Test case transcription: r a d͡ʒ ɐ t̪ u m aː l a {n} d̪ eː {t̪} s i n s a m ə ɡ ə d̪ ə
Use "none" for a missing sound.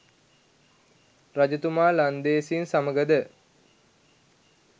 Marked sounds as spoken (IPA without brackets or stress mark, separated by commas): n, none